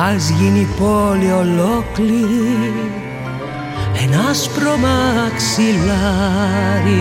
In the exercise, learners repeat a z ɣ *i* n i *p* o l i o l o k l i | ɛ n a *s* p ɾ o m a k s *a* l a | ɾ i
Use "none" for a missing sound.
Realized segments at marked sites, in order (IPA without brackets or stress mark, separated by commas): i, p, s, i